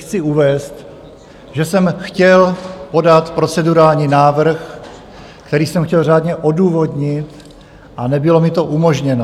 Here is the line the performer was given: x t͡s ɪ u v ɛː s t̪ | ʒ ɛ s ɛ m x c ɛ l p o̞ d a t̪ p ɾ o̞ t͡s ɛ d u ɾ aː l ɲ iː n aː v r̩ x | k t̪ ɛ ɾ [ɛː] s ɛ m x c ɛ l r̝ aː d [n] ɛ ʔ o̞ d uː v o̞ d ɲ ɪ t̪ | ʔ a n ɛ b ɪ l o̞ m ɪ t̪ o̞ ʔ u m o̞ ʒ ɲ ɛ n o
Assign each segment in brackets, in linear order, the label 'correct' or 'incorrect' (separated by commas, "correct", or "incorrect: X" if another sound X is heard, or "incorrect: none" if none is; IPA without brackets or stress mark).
incorrect: iː, incorrect: ɲ